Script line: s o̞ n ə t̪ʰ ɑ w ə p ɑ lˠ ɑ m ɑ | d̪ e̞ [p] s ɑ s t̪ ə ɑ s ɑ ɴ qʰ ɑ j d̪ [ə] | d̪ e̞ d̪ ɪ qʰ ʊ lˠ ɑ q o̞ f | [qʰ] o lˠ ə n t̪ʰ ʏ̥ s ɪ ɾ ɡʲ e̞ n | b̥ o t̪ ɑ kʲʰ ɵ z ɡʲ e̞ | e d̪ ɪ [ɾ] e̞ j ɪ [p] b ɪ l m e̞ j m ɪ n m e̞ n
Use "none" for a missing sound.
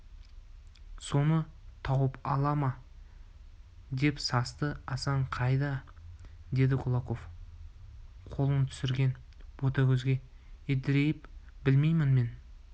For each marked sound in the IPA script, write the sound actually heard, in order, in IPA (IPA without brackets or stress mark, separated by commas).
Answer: p, ɑ, qʰ, ɾ, p